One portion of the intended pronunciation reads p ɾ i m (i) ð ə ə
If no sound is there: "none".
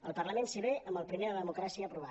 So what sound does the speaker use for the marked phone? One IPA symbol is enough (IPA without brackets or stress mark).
e